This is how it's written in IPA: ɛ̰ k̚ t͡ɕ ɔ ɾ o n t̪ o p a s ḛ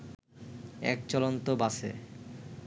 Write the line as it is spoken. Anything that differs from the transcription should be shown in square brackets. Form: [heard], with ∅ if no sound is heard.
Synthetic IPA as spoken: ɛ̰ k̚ t͡ɕ ɔ [l] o n t̪ o [b] a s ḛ

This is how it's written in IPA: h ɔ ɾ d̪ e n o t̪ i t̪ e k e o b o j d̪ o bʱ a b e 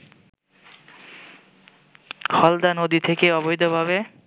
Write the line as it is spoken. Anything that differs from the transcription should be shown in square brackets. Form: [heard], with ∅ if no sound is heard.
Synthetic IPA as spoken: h ɔ [l] d̪ [a] n o [d̪] i [t̪ʰ] e k e [ɔ] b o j d̪ o bʱ a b e

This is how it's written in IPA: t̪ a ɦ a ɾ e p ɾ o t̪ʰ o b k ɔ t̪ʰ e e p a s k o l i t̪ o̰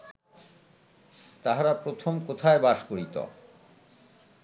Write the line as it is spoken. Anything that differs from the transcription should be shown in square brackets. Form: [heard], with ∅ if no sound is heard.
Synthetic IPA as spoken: t̪ a ɦ a ɾ [a] p ɾ o t̪ʰ o [m] k [o] t̪ʰ [a] e [b] a [ʃ] k o [ɾ] i t̪ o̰

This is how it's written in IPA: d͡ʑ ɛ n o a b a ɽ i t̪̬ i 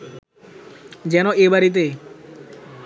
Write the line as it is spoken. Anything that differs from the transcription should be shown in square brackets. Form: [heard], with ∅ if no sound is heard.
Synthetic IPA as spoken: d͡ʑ ɛ n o [e] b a [ɾ] i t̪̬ [e]

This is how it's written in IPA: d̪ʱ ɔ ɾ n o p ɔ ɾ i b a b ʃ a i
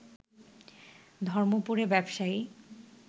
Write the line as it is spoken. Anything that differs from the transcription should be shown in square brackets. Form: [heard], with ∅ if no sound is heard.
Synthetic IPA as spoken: d̪ʱ ɔ ɾ [m] o p [u] ɾ [e] b [ɛ] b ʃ a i

